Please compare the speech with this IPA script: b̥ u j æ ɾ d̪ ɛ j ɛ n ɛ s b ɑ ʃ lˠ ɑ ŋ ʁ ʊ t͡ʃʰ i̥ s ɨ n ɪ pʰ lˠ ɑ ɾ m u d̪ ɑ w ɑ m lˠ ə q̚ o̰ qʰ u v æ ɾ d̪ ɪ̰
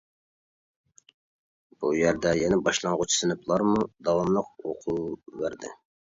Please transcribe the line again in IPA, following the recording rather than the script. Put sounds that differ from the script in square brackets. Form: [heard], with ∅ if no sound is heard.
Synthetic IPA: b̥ u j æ ɾ d̪ ɛ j ɛ n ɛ [∅] b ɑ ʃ lˠ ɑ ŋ ʁ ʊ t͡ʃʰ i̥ s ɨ n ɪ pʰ lˠ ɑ ɾ m u d̪ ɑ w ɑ m lˠ ə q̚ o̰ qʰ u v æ ɾ d̪ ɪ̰